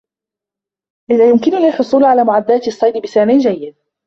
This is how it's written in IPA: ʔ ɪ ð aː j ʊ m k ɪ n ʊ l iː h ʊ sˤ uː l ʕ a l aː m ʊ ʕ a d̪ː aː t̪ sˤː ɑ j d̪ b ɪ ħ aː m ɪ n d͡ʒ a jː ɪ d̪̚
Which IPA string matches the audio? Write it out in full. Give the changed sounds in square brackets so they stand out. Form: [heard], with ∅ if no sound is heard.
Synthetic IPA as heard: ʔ ɪ ð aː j ʊ m k ɪ n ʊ l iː [ħ] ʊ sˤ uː l ʕ a l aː m ʊ ʕ a d̪ː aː t̪ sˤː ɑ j d̪ b ɪ [s] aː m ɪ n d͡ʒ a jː ɪ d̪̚